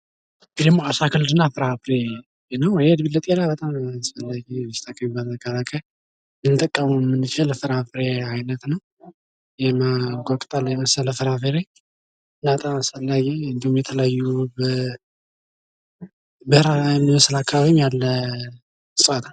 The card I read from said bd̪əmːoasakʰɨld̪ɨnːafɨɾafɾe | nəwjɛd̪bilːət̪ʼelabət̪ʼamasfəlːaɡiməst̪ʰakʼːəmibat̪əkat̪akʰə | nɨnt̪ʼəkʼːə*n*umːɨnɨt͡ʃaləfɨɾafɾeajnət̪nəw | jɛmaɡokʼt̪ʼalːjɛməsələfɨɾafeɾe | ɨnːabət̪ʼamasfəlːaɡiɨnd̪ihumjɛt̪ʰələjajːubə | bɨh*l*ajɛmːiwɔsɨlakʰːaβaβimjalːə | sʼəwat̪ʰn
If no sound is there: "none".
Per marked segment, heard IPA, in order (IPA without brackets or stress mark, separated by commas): m, ɾ